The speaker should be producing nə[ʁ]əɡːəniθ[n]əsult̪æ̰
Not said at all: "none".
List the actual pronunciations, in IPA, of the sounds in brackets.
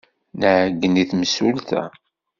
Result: ʕ, m

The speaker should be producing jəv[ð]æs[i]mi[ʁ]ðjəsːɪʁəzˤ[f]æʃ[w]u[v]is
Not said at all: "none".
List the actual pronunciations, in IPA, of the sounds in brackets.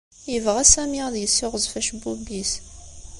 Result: ʁ, æ, ʁ, f, b, b

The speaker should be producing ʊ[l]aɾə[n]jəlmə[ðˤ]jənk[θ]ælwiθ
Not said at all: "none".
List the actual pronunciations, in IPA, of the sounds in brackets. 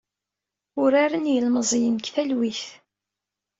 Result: ɾ, n, zˤ, θ

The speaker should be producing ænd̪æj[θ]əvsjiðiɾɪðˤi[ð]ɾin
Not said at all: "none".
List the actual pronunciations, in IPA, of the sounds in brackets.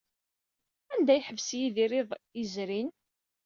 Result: ħ, z

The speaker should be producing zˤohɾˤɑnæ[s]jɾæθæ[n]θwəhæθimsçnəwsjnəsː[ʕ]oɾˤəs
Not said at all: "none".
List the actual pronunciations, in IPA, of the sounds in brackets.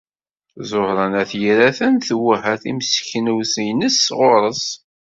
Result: θ, n, ʁ

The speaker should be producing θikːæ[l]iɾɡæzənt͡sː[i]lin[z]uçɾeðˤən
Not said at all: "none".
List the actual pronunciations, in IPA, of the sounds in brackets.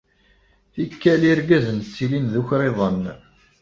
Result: l, i, ð

